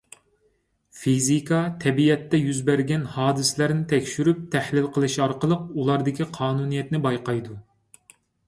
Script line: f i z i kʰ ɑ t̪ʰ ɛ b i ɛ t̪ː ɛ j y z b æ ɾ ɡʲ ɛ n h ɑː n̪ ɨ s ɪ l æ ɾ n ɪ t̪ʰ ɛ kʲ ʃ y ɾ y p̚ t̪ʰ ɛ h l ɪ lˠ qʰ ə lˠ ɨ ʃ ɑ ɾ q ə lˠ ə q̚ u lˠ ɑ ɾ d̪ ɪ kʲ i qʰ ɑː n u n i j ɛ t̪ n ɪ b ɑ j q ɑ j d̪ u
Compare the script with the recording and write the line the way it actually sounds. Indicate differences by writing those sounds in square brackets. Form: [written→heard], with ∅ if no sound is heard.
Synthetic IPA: f i z i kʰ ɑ t̪ʰ ɛ b i ɛ t̪ː ɛ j y z b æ ɾ ɡʲ ɛ n h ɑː [n̪→d̪] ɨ s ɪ l æ ɾ n ɪ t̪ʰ ɛ kʲ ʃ y ɾ y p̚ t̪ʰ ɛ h l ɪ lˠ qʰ ə lˠ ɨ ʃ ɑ ɾ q ə lˠ ə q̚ u lˠ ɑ ɾ d̪ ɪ kʲ i qʰ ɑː n u n i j ɛ t̪ n ɪ b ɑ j q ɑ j d̪ u